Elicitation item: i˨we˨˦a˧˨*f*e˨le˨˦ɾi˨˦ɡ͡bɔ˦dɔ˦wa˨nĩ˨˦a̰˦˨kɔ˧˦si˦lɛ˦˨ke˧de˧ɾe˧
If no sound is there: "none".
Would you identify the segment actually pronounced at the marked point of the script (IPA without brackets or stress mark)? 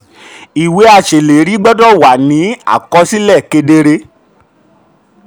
ʃ